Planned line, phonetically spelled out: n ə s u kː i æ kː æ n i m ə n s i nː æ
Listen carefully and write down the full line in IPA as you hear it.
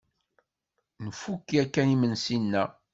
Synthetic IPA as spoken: n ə f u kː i æ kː æ n i m ə n s i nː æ

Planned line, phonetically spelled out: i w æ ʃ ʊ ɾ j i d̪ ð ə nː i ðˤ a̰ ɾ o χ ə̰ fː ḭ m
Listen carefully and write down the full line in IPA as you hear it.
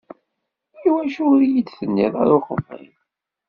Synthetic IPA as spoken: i w æ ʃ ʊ ɾ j i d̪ θ ə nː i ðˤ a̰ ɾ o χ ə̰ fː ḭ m

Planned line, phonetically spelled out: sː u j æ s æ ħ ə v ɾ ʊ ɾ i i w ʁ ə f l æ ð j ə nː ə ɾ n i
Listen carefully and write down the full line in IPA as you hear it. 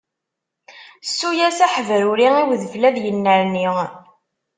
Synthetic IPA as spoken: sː u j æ s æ ħ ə v ɾ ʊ ɾ i i w ð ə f l æ ð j ə nː ə ɾ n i

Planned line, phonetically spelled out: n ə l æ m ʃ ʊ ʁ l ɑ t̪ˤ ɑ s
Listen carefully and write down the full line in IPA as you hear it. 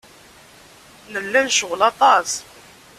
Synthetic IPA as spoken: n ə lː æ n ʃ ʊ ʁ l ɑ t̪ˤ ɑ s

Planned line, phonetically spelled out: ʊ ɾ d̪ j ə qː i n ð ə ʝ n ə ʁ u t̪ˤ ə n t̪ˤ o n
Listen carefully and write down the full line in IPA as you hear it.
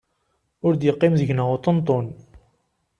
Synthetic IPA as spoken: ʊ ɾ d̪ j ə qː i m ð ə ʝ n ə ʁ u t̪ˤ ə n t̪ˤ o n

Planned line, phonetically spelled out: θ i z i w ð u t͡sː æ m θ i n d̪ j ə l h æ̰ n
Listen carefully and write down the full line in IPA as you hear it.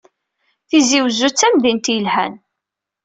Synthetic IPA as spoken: θ i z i w z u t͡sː æ m ð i n t̪ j ə l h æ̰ n

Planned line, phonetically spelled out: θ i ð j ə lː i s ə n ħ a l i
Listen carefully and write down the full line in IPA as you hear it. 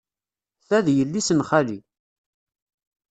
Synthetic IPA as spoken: θ æ ð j ə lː i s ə n χ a l i

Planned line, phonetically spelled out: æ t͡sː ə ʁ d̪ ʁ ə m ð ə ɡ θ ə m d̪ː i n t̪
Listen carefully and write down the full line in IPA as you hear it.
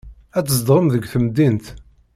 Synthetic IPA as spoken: æ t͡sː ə z d̪ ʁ ə m ð ə ɡ θ ə m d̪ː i n t̪

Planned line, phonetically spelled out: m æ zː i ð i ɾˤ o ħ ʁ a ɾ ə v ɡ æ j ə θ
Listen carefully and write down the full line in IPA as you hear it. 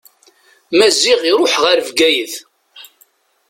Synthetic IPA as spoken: m æ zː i ʁ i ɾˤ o ħ ʁ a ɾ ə v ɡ æ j ə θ

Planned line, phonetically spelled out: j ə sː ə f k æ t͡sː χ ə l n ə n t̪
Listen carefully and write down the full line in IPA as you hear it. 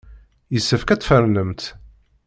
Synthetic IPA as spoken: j ə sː ə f k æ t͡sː f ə ɾ n ə m t̪

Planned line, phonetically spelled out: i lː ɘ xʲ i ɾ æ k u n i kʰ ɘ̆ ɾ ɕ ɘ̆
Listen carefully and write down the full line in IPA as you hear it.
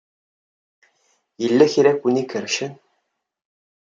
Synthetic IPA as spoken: i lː ɘ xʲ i ɾ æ k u n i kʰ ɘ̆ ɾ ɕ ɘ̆

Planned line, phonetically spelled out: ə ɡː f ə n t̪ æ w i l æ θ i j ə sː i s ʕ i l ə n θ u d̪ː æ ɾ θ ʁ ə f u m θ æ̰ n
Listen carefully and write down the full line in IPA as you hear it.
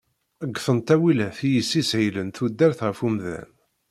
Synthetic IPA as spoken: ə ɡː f ə n t̪ æ w i l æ θ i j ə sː i s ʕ i l ə n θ u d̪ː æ ɾ θ ʁ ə f u m ð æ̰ n

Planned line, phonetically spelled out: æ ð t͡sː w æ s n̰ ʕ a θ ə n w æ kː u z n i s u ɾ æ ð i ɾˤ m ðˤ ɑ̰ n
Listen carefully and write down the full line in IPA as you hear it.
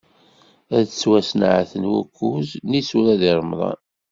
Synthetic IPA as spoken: æ ð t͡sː w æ s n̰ ʕ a θ ə n w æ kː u z n i s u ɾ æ ð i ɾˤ m ðˤ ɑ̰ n

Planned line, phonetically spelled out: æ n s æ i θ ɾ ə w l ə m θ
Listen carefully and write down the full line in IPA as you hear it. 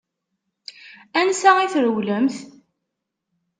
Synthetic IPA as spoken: æ n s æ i θ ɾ ə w l ə m θ

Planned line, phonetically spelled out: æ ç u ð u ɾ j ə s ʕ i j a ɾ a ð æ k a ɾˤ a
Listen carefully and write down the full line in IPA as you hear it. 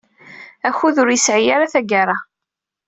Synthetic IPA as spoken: æ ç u ð ʊ ɾ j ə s ʕ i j a ɾ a θ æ ɡ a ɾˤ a

